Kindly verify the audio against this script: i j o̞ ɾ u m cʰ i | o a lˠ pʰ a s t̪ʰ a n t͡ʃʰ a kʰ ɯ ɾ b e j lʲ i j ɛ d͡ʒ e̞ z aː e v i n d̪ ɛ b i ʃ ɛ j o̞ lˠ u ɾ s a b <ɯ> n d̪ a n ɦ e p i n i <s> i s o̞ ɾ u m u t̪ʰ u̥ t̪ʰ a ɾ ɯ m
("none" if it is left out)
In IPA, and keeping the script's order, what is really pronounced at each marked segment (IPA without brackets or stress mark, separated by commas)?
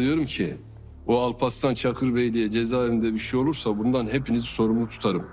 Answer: u, z